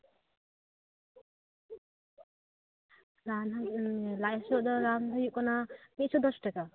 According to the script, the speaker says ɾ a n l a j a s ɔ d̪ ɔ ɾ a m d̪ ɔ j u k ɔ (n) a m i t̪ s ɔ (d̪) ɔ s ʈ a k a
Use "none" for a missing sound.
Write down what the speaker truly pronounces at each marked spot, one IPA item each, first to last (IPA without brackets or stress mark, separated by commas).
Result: n, d̪